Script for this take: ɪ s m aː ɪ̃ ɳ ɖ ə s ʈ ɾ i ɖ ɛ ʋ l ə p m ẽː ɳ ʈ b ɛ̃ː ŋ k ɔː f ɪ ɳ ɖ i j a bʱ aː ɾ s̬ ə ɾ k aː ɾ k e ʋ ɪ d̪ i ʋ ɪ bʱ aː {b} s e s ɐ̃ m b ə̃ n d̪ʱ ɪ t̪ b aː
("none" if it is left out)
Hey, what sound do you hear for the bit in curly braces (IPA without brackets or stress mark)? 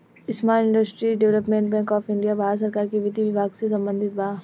ɡ